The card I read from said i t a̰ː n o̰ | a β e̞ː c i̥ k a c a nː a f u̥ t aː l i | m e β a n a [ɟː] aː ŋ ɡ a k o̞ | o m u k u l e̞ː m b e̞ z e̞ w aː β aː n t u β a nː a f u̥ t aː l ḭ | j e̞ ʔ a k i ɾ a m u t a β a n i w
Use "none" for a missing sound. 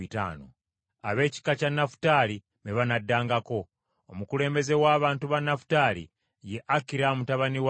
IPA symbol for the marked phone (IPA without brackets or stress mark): dː